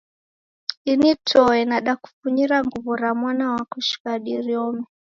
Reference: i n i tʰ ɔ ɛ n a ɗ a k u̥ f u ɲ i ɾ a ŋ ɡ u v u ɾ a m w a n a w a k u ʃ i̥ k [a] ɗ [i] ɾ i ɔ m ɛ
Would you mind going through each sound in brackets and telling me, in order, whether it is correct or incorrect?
correct, correct

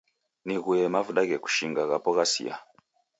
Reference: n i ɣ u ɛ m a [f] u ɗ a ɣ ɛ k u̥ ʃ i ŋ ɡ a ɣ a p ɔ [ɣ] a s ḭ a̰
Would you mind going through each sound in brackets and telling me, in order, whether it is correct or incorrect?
incorrect, correct

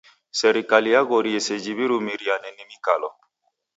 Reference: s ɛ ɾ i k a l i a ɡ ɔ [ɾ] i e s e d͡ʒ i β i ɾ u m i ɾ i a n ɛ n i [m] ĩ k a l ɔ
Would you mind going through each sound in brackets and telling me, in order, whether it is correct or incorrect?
correct, correct

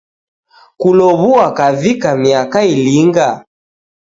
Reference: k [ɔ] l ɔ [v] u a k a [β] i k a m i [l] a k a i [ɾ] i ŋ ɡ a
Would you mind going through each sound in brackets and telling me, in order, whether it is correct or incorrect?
incorrect, incorrect, incorrect, incorrect, incorrect

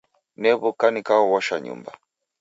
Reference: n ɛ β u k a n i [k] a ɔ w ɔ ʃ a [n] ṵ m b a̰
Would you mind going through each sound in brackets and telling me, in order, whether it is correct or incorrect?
correct, incorrect

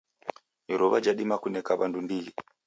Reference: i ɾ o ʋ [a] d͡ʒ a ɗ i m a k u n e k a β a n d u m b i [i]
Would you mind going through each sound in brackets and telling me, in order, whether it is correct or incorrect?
correct, correct

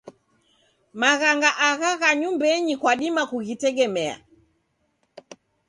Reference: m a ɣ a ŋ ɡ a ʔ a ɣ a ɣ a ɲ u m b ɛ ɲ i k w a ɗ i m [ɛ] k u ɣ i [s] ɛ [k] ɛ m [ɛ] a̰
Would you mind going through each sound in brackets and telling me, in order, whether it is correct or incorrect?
incorrect, incorrect, incorrect, correct

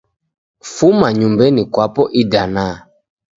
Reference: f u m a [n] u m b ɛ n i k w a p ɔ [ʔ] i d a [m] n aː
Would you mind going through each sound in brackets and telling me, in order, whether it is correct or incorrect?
incorrect, correct, incorrect

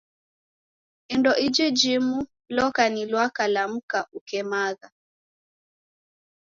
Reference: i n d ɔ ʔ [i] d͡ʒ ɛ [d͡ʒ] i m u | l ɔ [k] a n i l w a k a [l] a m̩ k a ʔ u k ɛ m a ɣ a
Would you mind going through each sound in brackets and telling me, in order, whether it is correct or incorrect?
correct, correct, correct, correct

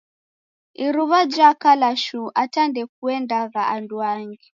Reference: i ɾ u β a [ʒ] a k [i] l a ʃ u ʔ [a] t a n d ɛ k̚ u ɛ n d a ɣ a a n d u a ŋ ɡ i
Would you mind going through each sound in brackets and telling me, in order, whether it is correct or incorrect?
incorrect, incorrect, correct

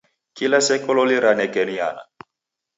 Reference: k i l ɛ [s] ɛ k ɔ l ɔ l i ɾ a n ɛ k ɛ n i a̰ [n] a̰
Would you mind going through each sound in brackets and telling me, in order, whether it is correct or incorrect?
correct, correct

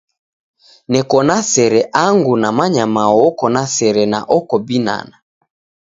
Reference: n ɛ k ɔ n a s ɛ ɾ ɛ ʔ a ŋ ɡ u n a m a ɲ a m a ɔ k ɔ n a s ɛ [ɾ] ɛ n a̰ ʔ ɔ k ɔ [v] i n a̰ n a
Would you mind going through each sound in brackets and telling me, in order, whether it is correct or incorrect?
correct, incorrect

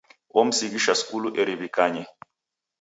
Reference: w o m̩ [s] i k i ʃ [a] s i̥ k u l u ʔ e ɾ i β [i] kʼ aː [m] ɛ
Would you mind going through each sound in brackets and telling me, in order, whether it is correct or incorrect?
correct, correct, correct, incorrect

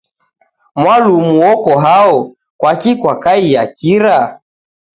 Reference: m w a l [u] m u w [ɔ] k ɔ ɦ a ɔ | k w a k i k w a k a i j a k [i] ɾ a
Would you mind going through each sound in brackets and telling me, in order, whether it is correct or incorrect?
correct, correct, correct

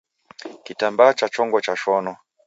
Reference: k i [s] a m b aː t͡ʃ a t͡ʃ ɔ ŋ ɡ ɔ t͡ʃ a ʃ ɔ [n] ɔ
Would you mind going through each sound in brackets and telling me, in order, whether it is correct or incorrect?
incorrect, correct

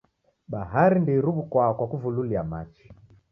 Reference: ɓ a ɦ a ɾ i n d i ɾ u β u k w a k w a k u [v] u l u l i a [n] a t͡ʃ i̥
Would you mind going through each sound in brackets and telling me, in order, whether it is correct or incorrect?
correct, incorrect

